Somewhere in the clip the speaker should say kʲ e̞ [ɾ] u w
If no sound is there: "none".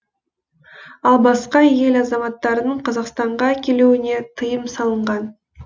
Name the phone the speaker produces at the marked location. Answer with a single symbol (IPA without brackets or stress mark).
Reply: l